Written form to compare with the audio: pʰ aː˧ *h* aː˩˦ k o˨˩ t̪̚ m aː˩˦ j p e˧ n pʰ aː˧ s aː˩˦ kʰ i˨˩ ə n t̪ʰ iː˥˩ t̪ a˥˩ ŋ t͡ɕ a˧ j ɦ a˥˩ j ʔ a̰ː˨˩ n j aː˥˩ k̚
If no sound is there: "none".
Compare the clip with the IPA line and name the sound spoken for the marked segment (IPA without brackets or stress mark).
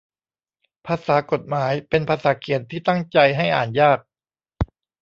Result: s